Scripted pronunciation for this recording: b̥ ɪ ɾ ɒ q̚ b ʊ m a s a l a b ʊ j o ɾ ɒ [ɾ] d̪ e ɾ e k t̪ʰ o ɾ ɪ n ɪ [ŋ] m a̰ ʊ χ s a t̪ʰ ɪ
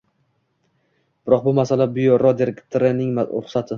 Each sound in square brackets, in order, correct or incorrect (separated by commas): incorrect, correct